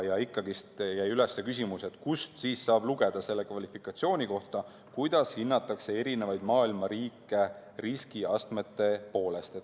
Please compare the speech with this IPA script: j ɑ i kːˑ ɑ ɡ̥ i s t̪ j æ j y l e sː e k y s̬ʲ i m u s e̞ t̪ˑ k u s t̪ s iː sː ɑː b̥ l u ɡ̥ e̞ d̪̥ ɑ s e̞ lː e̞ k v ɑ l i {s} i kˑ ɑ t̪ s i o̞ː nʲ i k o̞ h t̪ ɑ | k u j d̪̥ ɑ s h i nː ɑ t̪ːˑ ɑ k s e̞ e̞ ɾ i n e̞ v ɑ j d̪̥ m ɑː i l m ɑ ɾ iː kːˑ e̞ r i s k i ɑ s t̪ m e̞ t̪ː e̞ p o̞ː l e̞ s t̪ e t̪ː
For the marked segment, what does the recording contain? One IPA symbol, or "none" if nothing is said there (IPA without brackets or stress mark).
f